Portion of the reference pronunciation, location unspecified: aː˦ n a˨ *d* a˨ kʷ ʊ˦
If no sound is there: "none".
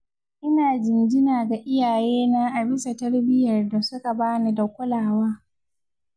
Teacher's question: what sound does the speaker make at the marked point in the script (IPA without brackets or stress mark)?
d